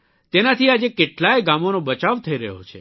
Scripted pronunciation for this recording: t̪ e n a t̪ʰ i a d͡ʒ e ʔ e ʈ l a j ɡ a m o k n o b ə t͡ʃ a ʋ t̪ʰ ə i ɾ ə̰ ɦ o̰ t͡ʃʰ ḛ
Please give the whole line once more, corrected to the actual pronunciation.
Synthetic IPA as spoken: t̪ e n a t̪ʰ i a d͡ʒ e k e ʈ l a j ɡ a m o n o b ə t͡ʃ a ʋ t̪ʰ ə i ɾ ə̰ ɦ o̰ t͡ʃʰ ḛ